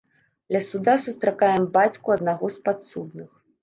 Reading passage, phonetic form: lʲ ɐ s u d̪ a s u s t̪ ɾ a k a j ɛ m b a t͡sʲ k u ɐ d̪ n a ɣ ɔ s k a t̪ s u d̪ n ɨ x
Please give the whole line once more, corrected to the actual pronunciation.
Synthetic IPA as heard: lʲ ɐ s u d̪ a s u s t̪ ɾ a k a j ɛ m b a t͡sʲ k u ɐ d̪ n a ɣ ɔ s p a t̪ s u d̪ n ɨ x